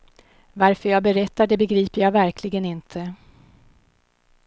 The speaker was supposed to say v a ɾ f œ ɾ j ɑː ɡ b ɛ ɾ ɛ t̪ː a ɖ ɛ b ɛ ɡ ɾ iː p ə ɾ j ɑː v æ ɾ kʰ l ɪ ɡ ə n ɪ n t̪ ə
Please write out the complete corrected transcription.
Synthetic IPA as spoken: v a ɾ f œ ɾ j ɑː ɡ b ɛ ɾ ɛ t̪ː a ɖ ɛ b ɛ ɡ ɾ iː p ə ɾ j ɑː v æ ɾ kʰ l ɪ ɡ ə n ɪ n t̪ʰ ə